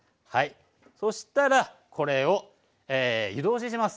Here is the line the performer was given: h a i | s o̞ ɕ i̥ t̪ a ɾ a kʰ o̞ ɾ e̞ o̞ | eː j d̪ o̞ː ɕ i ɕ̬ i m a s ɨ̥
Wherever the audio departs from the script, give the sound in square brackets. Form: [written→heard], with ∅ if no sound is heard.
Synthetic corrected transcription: h a i | s o̞ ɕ i̥ t̪ a ɾ a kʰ o̞ ɾ e̞ o̞ | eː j d̪ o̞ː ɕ i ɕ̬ i m a s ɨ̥